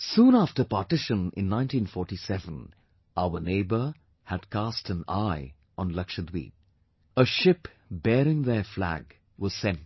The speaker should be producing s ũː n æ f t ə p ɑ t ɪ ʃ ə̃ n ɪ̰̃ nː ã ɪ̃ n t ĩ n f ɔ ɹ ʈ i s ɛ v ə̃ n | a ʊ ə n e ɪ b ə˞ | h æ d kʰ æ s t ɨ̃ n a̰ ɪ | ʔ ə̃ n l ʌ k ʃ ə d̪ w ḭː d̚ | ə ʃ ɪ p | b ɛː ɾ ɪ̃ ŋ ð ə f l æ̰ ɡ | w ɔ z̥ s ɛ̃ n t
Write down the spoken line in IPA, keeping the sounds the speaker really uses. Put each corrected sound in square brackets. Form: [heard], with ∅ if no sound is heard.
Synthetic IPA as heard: s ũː n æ f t ə p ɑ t ɪ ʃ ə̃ n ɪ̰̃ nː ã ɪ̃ n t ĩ n f ɔ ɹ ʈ i s ɛ v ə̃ n | a ʊ ə n e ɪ b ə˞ | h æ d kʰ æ s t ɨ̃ n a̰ ɪ | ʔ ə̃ n l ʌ k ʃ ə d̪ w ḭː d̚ | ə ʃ ɪ p | b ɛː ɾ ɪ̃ ŋ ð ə f l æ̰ ɡ | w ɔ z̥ s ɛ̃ n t